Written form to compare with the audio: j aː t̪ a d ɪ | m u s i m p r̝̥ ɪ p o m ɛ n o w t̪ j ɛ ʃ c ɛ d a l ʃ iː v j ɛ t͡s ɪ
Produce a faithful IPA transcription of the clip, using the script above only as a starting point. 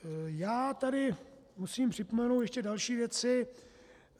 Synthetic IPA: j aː t̪ a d ɪ | m u s iː m p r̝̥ ɪ p o m ɛ n o w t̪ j ɛ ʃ c ɛ d a l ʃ iː v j ɛ t͡s ɪ